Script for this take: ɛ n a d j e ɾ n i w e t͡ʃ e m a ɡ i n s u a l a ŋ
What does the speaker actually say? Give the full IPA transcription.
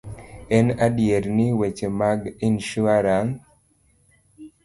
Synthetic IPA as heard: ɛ n a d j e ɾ n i w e t͡ʃ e m a ɡ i n ʃ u a ɾ a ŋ